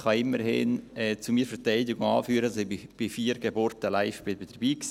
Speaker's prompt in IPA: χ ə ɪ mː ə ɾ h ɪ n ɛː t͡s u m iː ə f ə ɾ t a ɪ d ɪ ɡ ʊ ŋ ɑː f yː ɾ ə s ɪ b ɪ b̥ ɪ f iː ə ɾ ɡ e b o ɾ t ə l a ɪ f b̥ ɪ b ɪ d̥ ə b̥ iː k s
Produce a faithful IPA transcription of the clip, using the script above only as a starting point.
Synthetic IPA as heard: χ ɑ ɪ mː ə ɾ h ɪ n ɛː t͡s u m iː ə f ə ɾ t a ɪ d ɪ ɡ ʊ ŋ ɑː f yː ɾ ə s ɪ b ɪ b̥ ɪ f iː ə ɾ ɡ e b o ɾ t ə l a ɪ f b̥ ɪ b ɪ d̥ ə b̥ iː k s